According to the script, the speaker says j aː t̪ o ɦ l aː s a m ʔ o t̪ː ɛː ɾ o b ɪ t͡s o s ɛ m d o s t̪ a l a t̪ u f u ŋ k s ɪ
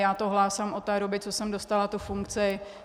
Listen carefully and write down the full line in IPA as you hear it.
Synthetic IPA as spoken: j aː t̪ o ɦ l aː s a m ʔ o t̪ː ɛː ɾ o b ɪ t͡s o s ɛ m d o s t̪ a l a t̪ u f u ŋ k t͡s ɪ